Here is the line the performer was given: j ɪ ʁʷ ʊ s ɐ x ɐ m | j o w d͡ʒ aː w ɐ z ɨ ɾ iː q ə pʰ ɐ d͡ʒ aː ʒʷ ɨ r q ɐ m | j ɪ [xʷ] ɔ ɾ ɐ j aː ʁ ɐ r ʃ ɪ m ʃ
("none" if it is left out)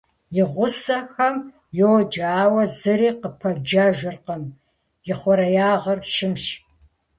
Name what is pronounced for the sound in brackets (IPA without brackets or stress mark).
χʷ